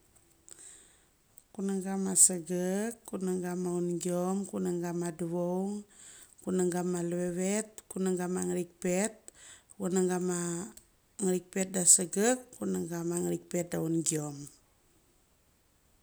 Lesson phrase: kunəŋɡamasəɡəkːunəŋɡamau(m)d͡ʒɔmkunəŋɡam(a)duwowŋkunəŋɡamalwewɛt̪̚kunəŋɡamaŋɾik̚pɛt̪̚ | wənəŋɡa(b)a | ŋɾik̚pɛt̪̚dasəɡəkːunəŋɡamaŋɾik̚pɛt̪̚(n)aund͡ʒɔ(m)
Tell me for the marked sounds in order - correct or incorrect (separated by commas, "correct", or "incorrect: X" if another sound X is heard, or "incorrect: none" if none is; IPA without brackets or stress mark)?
incorrect: n, correct, incorrect: m, incorrect: d, correct